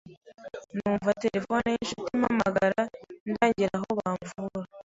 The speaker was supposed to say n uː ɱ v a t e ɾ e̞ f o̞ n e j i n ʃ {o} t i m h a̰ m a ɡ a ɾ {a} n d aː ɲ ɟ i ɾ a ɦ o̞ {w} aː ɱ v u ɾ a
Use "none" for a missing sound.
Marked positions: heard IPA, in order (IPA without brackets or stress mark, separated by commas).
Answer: u, a, β